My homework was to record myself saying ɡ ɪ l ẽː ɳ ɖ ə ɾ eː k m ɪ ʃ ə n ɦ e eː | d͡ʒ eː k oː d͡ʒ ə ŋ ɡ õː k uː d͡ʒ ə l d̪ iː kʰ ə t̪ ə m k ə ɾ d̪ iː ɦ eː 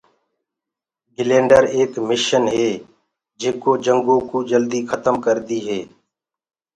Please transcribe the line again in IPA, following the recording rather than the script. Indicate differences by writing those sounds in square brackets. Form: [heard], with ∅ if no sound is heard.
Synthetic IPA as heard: ɡ ɪ l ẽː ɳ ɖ ə ɾ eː k m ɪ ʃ ə n ɦ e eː | d͡ʒ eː k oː d͡ʒ ə ŋ ɡ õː k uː d͡ʒ ə l d̪ iː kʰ ə t̪ ə m k ə ɾ d̪ iː ɦ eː